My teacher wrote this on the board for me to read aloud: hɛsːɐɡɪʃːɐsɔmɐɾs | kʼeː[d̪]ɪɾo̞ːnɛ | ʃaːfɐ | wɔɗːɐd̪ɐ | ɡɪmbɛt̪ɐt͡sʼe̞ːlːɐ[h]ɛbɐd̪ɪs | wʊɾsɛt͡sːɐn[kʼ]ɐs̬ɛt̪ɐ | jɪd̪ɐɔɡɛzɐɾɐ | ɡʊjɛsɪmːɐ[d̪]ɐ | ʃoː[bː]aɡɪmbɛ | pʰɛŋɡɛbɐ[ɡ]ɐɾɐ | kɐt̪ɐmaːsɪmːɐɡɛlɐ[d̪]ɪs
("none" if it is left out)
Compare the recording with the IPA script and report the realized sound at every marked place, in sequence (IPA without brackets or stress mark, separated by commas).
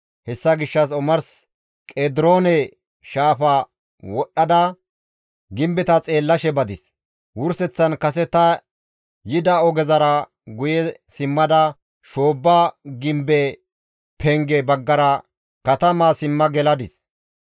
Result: d̪, ʃ, k, d̪, bː, ɡː, d̪